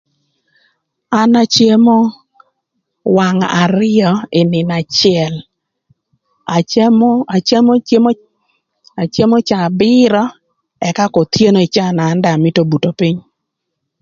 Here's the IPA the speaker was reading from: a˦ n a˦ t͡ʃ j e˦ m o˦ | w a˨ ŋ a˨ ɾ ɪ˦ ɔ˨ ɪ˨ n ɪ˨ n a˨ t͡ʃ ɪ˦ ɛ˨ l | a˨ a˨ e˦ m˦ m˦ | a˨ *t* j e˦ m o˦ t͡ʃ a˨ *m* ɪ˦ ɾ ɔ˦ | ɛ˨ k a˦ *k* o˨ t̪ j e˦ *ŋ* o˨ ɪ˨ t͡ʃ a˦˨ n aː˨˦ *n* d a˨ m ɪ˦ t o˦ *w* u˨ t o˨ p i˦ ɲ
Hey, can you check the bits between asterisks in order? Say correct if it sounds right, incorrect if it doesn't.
incorrect: t͡ʃ, incorrect: b, correct, incorrect: n, correct, incorrect: b

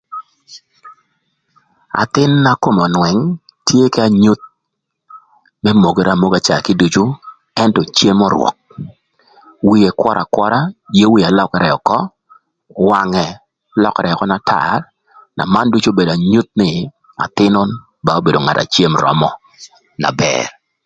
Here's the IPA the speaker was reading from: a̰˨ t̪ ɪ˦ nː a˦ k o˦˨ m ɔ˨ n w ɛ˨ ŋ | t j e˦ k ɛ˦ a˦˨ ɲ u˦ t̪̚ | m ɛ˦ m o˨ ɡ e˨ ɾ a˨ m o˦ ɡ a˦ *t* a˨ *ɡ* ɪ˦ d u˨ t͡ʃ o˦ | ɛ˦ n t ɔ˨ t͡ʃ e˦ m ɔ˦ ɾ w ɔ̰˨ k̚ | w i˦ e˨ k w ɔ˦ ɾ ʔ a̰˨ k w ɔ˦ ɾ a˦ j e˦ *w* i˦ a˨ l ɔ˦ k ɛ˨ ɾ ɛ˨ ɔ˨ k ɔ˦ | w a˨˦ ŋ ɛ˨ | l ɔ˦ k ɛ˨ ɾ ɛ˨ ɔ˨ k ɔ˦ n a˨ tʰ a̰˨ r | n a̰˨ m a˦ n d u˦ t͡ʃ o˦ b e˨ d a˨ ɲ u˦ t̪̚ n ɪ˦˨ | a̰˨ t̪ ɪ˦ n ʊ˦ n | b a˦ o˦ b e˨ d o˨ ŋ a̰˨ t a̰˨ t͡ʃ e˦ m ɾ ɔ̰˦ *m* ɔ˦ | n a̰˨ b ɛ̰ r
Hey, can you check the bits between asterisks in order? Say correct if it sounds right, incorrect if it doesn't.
incorrect: t͡ʃ, incorrect: k, correct, correct

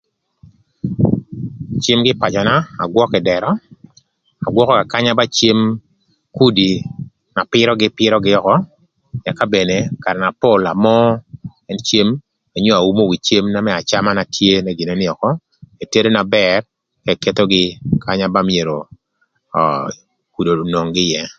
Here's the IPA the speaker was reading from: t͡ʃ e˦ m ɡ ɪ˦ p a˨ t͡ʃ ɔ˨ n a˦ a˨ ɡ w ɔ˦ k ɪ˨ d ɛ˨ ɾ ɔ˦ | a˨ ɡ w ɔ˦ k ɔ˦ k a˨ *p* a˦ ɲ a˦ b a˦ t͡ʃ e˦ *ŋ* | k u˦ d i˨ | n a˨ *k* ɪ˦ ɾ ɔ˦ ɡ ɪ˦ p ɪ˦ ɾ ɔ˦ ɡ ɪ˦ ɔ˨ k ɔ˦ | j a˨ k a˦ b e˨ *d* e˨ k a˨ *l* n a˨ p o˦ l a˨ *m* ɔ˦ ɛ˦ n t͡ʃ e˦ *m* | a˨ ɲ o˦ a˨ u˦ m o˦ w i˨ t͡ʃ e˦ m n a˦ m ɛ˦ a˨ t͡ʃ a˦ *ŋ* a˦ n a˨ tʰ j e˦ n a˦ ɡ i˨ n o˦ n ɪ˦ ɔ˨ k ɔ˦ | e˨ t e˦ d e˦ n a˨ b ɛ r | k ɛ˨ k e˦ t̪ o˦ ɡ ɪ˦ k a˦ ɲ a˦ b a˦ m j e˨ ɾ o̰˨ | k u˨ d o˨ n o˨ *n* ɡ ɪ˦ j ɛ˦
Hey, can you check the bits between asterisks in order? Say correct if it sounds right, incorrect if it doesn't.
incorrect: k, incorrect: m, incorrect: p, incorrect: n, incorrect: ɾ, correct, correct, incorrect: m, incorrect: ŋ

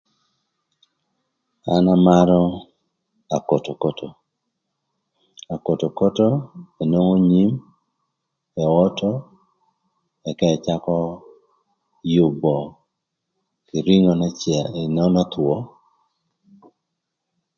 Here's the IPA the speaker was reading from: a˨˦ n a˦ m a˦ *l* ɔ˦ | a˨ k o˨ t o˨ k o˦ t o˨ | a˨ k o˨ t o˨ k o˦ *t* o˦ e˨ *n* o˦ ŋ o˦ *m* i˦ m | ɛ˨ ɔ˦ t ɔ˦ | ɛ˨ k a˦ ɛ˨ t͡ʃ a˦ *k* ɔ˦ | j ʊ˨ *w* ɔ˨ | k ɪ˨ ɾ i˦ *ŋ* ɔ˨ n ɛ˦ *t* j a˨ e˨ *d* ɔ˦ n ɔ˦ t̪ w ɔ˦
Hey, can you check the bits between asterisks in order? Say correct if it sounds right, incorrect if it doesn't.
incorrect: ɾ, correct, correct, incorrect: ɲ, correct, incorrect: b, correct, incorrect: t͡ʃ, incorrect: n

